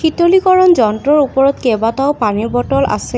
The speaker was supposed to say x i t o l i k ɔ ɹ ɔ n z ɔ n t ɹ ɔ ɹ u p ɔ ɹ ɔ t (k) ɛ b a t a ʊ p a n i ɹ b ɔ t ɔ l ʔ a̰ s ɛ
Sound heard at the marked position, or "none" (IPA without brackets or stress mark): k